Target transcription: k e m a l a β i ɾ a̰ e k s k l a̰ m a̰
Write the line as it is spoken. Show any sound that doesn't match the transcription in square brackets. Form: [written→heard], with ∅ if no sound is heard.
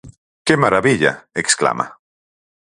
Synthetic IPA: k e m a [l→ɾ] a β i [ɾ→ʎ] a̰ e k s k l a̰ m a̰

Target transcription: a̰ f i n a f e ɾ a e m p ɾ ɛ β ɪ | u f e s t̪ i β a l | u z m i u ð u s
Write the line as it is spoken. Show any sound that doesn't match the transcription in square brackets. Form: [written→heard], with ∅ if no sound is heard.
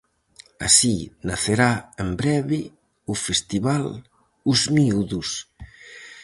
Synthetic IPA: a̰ [f→s] i n a [f→θ] e ɾ a e m [p→b] ɾ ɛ β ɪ | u f e s t̪ i β a l | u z m i u ð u s

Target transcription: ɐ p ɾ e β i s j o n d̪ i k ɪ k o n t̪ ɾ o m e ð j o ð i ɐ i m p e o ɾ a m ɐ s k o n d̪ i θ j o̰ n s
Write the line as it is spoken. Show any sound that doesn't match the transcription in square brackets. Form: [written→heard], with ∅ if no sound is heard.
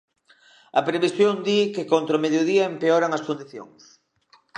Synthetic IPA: ɐ p ɾ e β i s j o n d̪ i k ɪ k o n t̪ ɾ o m e ð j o ð i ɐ [i→e] m p e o ɾ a [m→ŋ] ɐ s k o n d̪ i θ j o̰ [n→ŋ] s

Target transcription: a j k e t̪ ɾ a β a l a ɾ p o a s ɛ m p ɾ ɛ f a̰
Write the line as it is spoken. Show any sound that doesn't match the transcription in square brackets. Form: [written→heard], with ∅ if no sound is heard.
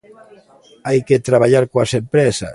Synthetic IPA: a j k e t̪ ɾ a β a [l→ʎ] a ɾ [p→k] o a s [ɛ→e] m p ɾ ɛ [f→s] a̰

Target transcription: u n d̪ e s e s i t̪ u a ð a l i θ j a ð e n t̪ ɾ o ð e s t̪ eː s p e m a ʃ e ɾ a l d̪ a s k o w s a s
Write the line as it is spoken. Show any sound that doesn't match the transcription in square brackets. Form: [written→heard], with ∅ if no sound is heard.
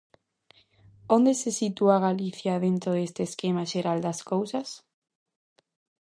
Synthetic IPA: [u→o] n d̪ e s e s i t̪ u a [ð→ɣ] a l i θ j a ð e n t̪ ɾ o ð e s t̪ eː s [p→k] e m a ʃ e ɾ a l d̪ a s k o w s a s

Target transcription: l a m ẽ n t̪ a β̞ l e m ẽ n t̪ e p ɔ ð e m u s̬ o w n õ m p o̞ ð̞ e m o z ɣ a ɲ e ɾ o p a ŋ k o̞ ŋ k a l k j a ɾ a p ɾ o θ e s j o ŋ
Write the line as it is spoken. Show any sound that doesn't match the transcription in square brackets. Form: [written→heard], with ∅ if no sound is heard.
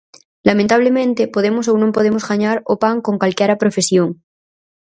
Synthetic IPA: l a m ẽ n t̪ a β̞ l e m ẽ n t̪ e p [ɔ→o] ð e m [u→o] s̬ o w n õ m p o̞ ð̞ e m o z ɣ a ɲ [e→a] ɾ o p a ŋ k o̞ ŋ k a l k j a ɾ a p ɾ o [θ→f] e s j o ŋ

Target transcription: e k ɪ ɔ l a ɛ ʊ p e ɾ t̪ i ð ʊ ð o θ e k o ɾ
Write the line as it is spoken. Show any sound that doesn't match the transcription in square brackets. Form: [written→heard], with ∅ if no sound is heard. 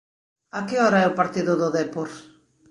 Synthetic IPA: [e→a] k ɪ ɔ [l→ɾ] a ɛ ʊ p [e→a] ɾ t̪ i ð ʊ ð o [θ→ð] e [k→p] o ɾ

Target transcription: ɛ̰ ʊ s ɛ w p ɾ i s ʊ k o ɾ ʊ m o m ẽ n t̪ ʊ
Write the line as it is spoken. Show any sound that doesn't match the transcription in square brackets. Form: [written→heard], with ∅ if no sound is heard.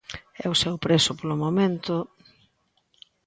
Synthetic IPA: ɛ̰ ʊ s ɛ w p ɾ [i→e] s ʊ [k→p] o [ɾ→l] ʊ m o m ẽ n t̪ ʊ

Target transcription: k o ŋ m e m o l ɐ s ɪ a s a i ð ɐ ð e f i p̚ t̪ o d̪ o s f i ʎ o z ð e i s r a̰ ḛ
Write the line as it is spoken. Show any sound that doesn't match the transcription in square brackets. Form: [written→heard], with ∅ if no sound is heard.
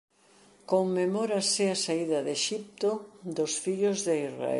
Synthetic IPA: k o ŋ m e m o [l→ɾ] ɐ s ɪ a s a i ð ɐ ð e [f→ʃ] i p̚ t̪ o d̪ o s f i ʎ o z ð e i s r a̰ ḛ

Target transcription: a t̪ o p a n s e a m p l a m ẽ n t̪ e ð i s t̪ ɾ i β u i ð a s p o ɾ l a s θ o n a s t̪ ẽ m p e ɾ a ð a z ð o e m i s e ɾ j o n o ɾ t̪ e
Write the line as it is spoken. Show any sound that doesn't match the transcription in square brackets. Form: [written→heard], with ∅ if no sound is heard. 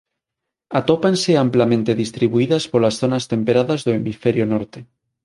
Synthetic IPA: a t̪ o p a n s e a m p l a m ẽ n t̪ e ð i s t̪ ɾ i β u i ð a s p o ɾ l a s θ o n a s t̪ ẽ m p e ɾ a ð a z ð o e m i [s→f] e ɾ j o n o ɾ t̪ e

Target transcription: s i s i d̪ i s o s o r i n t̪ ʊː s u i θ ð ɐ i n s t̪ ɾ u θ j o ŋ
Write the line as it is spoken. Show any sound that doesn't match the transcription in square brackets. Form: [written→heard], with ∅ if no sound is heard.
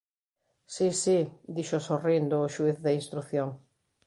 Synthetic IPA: s i s i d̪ i [s→ʃ] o s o r i n [t̪→d̪] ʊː [s→ʃ] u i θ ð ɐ i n s t̪ ɾ u θ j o ŋ

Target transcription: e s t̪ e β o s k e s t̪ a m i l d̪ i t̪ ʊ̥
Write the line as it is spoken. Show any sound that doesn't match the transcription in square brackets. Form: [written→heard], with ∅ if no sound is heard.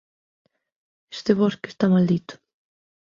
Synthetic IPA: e s t̪ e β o s k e s t̪ a m [i→a] l d̪ i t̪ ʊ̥

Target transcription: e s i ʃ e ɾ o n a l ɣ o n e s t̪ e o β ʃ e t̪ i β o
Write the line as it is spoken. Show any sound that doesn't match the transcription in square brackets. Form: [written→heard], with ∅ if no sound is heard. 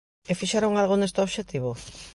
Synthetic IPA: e [s→f] i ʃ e ɾ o [n→ŋ] a l ɣ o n e s t̪ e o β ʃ e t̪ i β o

